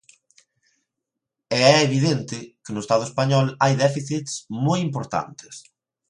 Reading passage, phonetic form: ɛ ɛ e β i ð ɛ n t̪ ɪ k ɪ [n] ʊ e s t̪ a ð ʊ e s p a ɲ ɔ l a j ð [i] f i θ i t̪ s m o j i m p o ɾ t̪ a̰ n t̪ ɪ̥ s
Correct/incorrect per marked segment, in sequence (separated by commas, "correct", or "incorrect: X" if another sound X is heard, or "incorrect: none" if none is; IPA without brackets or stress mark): correct, incorrect: ɛ